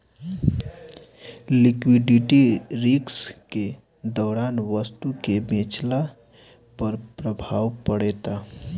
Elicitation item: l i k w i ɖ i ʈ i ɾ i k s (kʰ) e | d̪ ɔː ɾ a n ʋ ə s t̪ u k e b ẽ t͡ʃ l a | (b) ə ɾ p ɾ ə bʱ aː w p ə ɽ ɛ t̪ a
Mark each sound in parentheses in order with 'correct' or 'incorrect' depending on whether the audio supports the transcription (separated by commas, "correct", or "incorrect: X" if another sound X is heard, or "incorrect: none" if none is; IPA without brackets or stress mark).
incorrect: k, incorrect: p